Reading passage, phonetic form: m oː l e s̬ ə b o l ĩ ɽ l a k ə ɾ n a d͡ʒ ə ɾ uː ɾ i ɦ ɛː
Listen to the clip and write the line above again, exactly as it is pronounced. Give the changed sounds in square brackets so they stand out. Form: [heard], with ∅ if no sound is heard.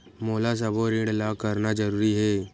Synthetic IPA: m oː l [a] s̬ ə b o [ɾ] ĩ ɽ l a k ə ɾ n a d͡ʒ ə ɾ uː ɾ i ɦ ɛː